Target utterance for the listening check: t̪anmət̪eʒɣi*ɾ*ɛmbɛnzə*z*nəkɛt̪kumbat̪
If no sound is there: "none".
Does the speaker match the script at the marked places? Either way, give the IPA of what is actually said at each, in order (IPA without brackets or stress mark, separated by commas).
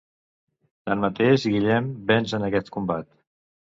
ʎ, none